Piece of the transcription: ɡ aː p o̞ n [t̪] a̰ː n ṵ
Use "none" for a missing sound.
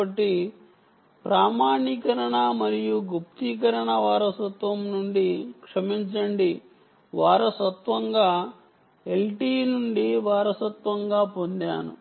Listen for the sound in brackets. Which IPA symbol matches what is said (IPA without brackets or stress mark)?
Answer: d̪